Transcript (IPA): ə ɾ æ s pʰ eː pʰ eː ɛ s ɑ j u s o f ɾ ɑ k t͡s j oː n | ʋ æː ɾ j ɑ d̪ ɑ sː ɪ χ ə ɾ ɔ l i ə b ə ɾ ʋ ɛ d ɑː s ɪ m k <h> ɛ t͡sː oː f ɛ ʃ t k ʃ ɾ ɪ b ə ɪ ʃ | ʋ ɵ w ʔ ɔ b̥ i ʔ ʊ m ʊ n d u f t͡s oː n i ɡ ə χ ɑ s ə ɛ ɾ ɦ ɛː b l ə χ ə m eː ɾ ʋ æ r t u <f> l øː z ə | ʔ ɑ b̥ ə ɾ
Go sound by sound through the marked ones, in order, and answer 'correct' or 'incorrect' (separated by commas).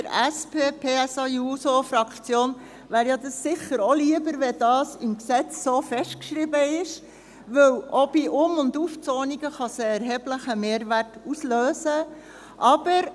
incorrect, incorrect